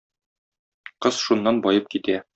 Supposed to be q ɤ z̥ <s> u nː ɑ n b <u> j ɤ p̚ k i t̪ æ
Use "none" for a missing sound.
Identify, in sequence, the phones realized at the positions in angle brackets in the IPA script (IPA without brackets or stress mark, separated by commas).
ʃ, ɒ